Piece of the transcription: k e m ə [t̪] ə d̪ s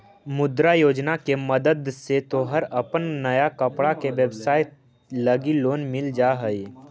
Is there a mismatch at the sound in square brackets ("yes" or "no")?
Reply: yes